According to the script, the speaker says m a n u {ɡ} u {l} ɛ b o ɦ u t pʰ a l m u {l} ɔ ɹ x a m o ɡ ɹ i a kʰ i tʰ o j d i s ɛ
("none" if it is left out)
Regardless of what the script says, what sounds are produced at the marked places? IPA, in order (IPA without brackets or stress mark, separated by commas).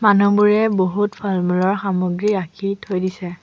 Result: b, ɹ, l